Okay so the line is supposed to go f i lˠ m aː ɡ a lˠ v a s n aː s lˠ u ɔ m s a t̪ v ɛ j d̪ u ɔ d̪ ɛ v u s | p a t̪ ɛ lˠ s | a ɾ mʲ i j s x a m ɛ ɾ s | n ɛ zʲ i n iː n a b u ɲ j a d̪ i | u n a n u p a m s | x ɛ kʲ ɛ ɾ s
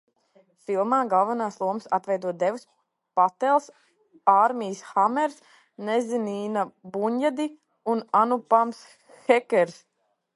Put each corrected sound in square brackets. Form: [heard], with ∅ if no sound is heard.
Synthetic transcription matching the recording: f i lˠ m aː ɡ a lˠ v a [∅] n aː s lˠ u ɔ m s a t̪ v ɛ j d̪ u ɔ d̪ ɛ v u s | p a t̪ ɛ lˠ s | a ɾ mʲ i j s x a m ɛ ɾ s | n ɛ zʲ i n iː n a b u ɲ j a d̪ i | u n a n u p a m s | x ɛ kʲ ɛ ɾ s